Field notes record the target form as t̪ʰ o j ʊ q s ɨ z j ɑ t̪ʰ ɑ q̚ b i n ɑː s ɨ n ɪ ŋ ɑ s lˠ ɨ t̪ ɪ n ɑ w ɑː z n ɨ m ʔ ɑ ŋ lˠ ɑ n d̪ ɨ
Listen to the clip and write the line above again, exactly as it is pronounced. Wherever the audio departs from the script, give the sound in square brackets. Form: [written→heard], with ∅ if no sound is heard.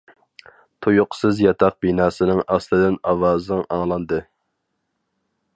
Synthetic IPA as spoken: t̪ʰ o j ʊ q s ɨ z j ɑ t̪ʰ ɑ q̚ b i n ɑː s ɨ n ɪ ŋ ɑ s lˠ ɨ [t̪→d̪] ɪ n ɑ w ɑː z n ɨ [m→ŋ] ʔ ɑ ŋ lˠ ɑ n d̪ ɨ